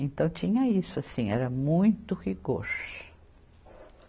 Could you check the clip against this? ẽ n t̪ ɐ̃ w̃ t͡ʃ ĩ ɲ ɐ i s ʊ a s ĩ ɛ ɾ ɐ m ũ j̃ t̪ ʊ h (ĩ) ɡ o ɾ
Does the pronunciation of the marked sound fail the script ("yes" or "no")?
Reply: yes